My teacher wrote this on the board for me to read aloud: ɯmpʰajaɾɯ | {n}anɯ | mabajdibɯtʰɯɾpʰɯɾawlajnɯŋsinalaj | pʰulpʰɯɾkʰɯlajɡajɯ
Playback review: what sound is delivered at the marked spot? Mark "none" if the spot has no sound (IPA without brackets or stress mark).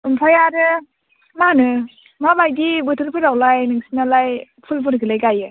m